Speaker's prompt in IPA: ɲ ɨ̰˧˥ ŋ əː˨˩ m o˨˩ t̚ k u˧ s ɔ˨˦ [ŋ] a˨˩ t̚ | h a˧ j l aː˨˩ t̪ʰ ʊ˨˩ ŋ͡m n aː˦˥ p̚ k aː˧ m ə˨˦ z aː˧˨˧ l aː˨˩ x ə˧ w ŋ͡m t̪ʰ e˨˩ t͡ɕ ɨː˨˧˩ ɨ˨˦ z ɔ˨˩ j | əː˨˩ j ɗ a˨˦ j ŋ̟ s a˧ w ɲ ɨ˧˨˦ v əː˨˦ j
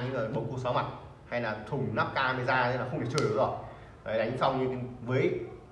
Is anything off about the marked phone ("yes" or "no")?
yes